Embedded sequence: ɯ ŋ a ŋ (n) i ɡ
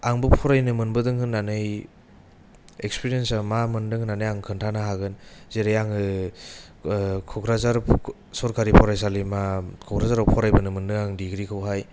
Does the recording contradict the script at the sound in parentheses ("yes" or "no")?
yes